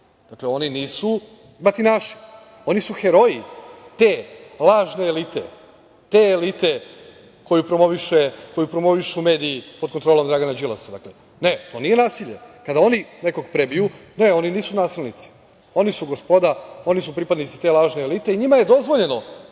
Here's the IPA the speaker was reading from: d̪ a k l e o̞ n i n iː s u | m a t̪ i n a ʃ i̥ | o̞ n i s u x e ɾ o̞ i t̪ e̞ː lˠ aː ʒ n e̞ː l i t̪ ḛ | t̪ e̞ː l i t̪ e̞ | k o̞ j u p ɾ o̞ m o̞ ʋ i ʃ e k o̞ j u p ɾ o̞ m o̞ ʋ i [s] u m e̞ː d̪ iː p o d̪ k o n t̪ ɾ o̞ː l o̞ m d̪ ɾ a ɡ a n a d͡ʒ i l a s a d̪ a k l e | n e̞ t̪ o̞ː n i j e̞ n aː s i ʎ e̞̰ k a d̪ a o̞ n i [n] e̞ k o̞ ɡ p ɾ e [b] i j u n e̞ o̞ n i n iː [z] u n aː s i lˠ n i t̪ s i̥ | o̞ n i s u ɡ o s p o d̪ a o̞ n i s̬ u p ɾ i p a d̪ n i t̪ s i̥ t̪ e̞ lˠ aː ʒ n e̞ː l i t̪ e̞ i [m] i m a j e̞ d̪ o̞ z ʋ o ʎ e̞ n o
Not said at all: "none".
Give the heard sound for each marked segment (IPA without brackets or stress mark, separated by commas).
ʃ, n, b, s, ɲ